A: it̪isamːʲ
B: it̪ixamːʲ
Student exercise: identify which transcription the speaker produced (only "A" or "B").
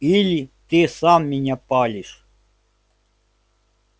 A